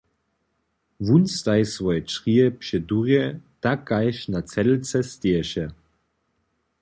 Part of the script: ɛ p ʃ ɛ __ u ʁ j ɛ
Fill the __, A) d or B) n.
A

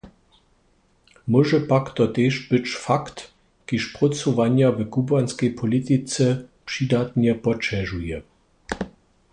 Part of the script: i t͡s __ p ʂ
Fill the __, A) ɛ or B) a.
A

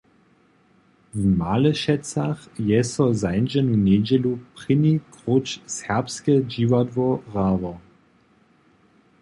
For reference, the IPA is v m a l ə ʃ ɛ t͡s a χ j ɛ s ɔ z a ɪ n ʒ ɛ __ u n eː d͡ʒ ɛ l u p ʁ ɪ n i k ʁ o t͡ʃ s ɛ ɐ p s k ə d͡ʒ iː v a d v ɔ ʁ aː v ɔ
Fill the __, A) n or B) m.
A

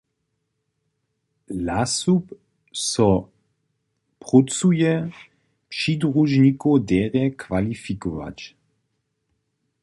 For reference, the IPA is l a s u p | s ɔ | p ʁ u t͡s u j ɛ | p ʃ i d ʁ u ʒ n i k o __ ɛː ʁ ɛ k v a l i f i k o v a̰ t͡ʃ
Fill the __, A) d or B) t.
A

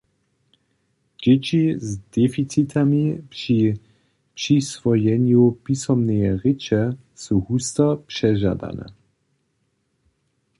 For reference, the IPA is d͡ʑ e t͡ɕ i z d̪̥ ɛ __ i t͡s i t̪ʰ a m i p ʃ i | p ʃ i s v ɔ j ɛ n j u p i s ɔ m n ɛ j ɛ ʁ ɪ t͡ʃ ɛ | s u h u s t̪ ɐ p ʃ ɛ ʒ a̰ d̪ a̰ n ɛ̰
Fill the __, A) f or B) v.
A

